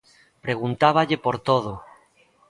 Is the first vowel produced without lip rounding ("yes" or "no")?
yes